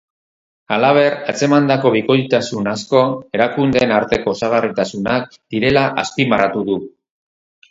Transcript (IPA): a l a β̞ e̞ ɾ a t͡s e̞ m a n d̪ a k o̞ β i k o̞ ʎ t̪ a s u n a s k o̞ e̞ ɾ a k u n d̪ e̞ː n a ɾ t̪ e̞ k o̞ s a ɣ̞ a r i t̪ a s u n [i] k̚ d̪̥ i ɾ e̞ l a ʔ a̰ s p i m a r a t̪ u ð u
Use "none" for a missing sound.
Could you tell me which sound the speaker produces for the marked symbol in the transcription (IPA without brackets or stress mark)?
a